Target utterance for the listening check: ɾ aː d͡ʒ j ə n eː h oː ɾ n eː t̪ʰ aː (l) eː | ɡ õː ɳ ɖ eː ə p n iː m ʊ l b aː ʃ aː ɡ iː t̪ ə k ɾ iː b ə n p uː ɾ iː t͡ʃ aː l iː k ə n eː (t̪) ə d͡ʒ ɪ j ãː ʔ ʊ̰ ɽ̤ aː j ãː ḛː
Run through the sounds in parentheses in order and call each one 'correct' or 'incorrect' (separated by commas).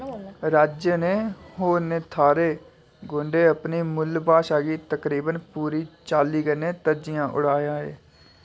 incorrect, correct